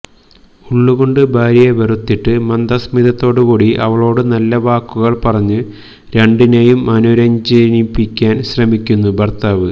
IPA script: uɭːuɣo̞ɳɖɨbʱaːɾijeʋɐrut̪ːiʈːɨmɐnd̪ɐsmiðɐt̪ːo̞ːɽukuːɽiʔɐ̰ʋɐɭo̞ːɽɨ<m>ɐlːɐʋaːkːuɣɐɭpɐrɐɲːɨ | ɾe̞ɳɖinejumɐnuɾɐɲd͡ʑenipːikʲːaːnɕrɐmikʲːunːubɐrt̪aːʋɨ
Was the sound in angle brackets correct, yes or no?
no